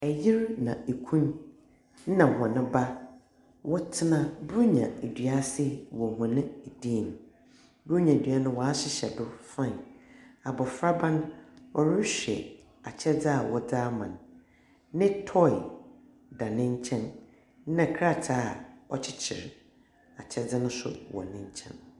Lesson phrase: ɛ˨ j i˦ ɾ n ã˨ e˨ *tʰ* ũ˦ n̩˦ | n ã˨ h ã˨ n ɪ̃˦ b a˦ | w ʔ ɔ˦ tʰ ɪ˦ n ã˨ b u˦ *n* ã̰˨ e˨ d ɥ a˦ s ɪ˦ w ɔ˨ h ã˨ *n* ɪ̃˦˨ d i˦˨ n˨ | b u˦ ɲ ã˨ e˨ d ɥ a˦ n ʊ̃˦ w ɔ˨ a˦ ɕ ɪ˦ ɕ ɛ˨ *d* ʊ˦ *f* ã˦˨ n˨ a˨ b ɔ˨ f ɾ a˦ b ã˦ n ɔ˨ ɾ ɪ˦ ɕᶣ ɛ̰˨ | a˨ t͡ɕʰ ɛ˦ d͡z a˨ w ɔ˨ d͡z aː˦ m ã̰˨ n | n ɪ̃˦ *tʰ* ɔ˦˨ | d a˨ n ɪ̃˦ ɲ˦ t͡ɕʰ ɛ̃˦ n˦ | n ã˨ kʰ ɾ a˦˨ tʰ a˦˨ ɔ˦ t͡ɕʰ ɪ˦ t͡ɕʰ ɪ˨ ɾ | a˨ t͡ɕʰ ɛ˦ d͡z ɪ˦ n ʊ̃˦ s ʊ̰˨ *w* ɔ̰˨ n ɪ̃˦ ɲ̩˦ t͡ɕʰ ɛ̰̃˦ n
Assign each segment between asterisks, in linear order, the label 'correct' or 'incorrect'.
incorrect: kʰ, incorrect: ɲ, correct, correct, correct, correct, correct

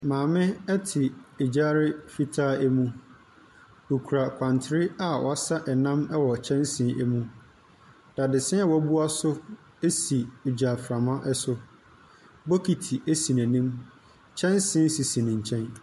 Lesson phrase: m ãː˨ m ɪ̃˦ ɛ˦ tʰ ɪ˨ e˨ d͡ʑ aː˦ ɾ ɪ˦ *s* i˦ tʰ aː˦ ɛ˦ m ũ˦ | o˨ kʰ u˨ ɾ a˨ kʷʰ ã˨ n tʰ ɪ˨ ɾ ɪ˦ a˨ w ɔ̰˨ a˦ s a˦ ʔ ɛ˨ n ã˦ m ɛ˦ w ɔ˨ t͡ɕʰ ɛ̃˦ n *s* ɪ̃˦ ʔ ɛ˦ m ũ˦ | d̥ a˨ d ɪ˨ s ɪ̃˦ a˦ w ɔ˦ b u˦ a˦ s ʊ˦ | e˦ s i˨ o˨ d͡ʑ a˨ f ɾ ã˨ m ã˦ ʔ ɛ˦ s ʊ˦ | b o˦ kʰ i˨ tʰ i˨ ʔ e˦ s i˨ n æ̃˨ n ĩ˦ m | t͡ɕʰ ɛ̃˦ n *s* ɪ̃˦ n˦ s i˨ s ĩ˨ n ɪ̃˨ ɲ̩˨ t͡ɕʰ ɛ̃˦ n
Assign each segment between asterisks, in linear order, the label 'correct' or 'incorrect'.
incorrect: f, correct, correct

